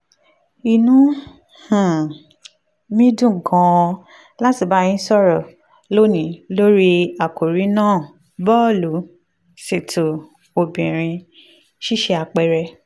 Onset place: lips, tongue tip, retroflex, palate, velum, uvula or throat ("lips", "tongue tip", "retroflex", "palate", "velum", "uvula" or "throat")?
tongue tip